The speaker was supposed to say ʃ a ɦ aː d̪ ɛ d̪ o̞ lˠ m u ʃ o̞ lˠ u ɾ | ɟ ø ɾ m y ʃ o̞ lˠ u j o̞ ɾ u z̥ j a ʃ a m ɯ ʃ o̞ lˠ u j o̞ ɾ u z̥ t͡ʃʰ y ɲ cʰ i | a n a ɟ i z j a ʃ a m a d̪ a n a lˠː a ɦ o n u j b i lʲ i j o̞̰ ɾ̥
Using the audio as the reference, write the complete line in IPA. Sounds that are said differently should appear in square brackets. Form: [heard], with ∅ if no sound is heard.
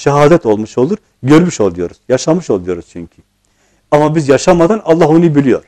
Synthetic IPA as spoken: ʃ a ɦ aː d̪ ɛ [t̪] o̞ lˠ m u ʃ o̞ lˠ u ɾ | ɟ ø ɾ m y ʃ o̞ lˠ u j o̞ ɾ u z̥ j a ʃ a m ɯ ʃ o̞ lˠ u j o̞ ɾ u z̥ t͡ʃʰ y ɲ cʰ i | a [m] a [b] i z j a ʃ a m a d̪ a n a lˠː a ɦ o n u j b i lʲ i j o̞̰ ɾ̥

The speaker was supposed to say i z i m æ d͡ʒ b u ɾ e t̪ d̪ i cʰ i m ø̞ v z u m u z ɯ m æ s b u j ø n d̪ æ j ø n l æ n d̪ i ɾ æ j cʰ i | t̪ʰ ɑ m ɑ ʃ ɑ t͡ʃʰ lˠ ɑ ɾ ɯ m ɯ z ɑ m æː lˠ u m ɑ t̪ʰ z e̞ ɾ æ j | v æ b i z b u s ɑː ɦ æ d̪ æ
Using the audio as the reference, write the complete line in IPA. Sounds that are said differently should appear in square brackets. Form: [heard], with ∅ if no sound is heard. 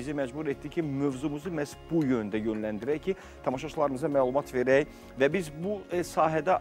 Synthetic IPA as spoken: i z i m æ d͡ʒ b u ɾ e t̪ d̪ i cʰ i m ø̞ v z u m u z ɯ m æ s b u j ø n d̪ æ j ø n l æ n d̪ i ɾ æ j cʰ i | t̪ʰ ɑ m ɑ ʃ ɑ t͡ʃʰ lˠ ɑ ɾ ɯ m ɯ z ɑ m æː lˠ u m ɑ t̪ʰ [v] e̞ ɾ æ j | v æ b i z b u s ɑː ɦ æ d̪ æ

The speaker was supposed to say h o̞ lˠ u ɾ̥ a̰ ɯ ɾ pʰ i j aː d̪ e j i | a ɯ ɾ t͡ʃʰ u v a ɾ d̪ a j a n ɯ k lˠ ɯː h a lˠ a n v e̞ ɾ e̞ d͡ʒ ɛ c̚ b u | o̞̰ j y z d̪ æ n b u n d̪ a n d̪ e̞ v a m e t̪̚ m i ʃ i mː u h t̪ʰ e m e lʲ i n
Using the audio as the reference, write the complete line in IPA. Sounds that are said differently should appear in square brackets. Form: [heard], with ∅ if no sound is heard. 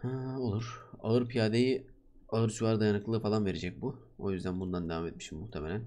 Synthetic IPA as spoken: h o̞ lˠ u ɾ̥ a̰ ɯ ɾ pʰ i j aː d̪ e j i | a ɯ ɾ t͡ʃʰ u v a ɾ d̪ a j a n ɯ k lˠ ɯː [f] a lˠ a n v e̞ ɾ e̞ d͡ʒ ɛ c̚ b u | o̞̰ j y z d̪ æ n b u n d̪ a n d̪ e̞ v a m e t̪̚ m i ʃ i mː u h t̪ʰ e m e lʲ [æ] n

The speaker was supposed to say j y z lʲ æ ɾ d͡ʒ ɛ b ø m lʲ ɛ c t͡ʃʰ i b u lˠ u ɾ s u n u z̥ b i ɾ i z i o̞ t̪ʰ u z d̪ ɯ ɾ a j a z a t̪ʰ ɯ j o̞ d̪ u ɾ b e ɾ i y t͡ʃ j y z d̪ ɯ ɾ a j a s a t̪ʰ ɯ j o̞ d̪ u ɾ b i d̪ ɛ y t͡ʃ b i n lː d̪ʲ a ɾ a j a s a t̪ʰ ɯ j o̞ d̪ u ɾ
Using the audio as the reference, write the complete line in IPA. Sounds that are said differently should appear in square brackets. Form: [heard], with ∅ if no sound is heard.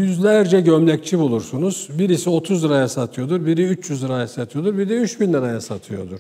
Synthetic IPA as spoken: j y z lʲ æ ɾ d͡ʒ ɛ [ɟ] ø m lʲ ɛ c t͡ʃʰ i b u lˠ u ɾ s u n u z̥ b i ɾ i [s] i o̞ t̪ʰ u z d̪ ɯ ɾ a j a [s] a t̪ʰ ɯ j o̞ d̪ u ɾ b [i] ɾ i y t͡ʃ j y z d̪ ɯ ɾ a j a s a t̪ʰ ɯ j o̞ d̪ u ɾ b i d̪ ɛ y t͡ʃ b i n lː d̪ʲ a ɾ a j a s a t̪ʰ ɯ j o̞ d̪ u ɾ

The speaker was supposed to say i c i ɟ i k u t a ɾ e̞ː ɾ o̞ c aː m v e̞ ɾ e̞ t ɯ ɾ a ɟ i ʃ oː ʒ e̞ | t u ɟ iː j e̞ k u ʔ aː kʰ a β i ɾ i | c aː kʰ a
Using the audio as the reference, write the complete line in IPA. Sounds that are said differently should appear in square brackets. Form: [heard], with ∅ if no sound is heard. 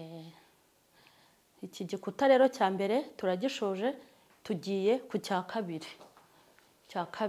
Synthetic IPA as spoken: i c i ɟ i k u t a ɾ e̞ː ɾ o̞ c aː m [b] e̞ ɾ e̞ t [u] ɾ a ɟ i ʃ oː ʒ e̞ | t u ɟ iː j e̞ k u [c] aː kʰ a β i ɾ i | c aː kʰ a

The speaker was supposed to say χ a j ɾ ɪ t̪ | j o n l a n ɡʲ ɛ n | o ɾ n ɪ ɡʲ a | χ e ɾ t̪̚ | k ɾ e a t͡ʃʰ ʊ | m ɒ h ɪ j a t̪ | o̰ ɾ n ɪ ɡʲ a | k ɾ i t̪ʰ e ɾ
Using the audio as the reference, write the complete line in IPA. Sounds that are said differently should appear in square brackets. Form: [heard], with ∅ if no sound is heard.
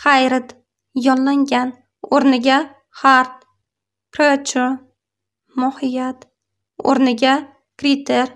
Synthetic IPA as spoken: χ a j ɾ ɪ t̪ | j [ɒ] n l a [ŋ] ɡʲ [a] n | o ɾ n ɪ ɡʲ a | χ [a] ɾ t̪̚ | k ɾ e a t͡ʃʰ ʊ | m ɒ h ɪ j a t̪ | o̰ ɾ n ɪ ɡʲ a | k ɾ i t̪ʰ e ɾ

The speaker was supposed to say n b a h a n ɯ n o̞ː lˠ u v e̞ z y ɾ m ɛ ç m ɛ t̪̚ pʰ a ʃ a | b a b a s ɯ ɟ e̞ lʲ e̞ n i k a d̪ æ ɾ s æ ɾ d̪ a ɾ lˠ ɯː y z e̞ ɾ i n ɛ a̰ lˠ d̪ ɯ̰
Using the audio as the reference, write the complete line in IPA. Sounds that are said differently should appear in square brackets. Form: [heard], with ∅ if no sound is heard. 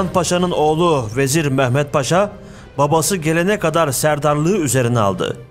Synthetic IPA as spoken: n [p] a [ʃ] a n ɯ n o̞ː lˠ u v e̞ z [i] ɾ m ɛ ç m ɛ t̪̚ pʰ a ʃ a | b a b a s ɯ ɟ e̞ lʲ e̞ n [ɛ] k a d̪ [a] ɾ s æ ɾ d̪ a ɾ lˠ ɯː y z e̞ ɾ i n ɛ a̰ lˠ d̪ ɯ̰

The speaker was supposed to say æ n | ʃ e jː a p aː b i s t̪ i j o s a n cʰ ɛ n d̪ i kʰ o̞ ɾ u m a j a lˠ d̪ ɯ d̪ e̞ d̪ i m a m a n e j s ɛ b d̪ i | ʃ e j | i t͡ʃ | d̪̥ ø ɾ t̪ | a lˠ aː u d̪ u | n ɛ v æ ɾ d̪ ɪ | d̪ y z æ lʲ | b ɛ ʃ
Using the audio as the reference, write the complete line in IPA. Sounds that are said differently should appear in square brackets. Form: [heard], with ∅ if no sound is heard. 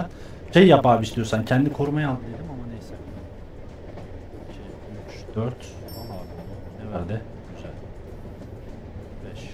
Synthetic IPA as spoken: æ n | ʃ e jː a p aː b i s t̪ i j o s a n cʰ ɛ n d̪ i kʰ o̞ ɾ u m a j a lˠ d̪ ɯ d̪ e̞ d̪ i m a m a n e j s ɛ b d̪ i | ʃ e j | [y] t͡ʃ | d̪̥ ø ɾ t̪ | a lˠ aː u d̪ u | n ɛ v æ ɾ d̪ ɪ | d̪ y z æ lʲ | b ɛ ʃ

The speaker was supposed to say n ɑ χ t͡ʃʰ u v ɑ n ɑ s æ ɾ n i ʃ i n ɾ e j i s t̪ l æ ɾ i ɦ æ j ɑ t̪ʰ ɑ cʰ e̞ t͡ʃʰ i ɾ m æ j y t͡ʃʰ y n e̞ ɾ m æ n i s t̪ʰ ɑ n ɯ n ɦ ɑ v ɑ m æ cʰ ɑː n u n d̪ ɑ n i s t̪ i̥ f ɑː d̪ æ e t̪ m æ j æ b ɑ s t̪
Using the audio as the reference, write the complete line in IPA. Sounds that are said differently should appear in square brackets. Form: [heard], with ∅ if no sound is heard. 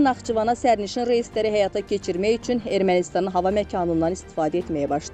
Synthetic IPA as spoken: n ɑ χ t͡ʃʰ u v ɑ n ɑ s æ ɾ n i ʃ i n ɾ e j i s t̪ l æ ɾ i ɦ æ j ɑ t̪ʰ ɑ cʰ e̞ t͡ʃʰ i ɾ m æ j y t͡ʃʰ y n e̞ ɾ m æ n i s [t̪] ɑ n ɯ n ɦ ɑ v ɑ m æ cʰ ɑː n u n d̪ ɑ n i s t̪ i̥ f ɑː d̪ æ e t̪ m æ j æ b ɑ [ʃ] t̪

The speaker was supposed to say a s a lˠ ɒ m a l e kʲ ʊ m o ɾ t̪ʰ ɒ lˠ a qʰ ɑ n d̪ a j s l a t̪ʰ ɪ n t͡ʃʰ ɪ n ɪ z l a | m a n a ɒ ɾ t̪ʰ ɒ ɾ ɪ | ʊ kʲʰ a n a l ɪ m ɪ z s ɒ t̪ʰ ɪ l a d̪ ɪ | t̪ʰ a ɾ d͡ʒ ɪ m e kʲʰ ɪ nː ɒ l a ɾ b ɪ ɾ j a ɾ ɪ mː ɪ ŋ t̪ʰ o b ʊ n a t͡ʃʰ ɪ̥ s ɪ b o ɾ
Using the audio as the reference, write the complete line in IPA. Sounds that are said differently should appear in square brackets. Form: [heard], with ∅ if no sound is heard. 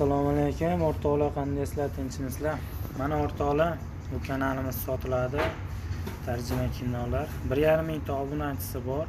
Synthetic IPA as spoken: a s a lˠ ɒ m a l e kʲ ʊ m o ɾ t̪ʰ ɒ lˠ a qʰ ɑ n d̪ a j s l a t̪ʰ ɪ n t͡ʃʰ ɪ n ɪ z l a | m a n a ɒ ɾ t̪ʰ ɒ [l] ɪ | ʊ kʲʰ a n a l ɪ m ɪ z s ɒ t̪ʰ ɪ l a d̪ ɪ | t̪ʰ a ɾ d͡ʒ ɪ m [a] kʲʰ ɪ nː ɒ l a ɾ b ɪ ɾ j a ɾ ɪ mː ɪ ŋ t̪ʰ [ɒ] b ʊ n a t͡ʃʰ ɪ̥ s ɪ b [ɒ] ɾ

